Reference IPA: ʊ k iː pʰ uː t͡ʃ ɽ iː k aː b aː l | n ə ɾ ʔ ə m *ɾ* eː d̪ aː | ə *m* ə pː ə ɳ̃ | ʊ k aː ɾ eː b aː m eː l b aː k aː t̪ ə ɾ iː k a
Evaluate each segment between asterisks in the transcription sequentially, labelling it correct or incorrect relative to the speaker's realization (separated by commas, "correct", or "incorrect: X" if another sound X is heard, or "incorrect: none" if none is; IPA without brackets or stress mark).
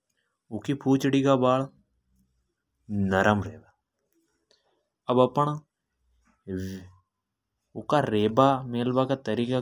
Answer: correct, incorrect: b